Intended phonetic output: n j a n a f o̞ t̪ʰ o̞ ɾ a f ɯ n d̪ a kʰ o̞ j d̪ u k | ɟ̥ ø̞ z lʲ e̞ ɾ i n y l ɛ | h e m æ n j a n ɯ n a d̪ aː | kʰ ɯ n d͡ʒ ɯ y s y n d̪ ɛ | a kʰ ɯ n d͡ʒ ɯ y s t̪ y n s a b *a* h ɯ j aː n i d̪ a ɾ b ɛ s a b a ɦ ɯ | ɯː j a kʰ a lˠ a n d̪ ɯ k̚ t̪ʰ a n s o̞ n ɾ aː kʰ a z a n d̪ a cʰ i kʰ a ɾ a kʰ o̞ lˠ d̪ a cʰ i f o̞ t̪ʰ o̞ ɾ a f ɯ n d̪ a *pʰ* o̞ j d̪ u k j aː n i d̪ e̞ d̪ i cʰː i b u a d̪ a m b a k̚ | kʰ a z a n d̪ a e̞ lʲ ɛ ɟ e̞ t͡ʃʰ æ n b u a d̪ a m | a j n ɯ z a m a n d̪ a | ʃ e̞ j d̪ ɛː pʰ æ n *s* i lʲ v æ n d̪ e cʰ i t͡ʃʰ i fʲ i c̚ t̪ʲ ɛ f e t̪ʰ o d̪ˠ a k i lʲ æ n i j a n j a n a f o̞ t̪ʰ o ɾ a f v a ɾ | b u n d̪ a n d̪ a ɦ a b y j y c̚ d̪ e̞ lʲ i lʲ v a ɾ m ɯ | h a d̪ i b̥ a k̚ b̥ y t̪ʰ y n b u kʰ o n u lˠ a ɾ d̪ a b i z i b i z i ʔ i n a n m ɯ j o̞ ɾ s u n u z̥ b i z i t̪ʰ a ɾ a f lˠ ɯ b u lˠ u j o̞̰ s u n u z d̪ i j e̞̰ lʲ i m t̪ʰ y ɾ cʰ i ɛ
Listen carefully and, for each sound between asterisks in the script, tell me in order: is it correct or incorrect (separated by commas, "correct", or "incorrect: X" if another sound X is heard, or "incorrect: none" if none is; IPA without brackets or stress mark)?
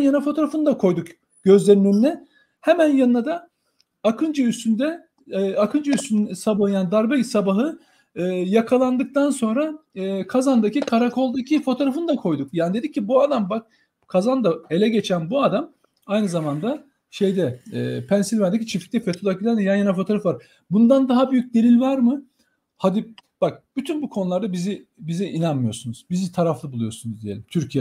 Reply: correct, incorrect: kʰ, correct